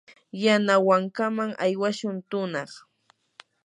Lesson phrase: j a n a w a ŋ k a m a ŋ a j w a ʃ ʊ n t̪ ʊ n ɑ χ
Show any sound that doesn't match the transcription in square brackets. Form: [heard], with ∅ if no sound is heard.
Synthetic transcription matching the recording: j a n a w a ŋ k a m a ŋ a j w a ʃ ʊ n t̪ ʊ n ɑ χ